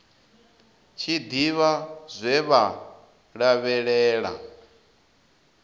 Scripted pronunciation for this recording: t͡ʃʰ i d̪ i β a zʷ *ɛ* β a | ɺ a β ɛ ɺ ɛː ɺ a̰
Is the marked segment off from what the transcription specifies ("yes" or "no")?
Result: no